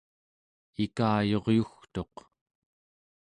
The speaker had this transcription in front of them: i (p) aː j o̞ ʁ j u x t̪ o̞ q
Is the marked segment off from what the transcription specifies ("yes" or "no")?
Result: yes